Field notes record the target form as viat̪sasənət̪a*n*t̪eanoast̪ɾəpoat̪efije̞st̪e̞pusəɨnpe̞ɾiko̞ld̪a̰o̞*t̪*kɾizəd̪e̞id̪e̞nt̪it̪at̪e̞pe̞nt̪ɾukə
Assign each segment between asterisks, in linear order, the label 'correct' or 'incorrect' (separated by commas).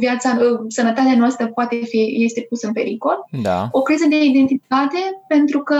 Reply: incorrect, incorrect